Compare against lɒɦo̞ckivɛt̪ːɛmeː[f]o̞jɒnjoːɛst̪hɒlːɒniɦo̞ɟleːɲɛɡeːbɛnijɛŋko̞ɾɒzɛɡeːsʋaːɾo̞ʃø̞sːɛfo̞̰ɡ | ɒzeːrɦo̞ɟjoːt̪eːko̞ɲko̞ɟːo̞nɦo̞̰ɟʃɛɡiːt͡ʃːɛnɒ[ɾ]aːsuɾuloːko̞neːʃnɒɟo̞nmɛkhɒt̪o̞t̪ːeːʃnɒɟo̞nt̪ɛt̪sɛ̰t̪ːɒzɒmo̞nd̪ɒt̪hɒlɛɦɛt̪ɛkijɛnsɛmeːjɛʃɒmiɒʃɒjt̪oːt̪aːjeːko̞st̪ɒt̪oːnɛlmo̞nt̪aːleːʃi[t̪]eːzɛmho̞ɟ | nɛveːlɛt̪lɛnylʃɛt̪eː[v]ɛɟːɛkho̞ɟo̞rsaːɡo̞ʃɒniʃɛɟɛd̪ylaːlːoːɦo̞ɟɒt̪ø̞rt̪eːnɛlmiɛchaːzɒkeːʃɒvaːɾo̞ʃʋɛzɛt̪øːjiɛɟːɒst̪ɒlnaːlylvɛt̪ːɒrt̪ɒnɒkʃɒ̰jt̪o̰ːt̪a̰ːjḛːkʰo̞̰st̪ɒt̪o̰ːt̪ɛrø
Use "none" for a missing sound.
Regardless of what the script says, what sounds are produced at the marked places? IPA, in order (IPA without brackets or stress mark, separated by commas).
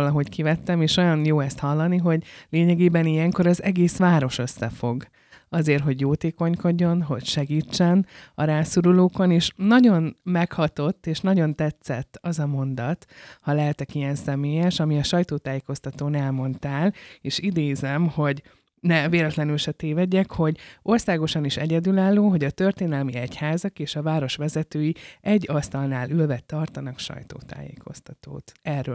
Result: ʃ, ɾ, d̪, v